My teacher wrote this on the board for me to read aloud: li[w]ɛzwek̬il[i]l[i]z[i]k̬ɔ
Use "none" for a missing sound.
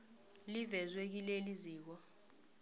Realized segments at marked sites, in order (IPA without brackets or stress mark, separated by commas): v, e, i, iː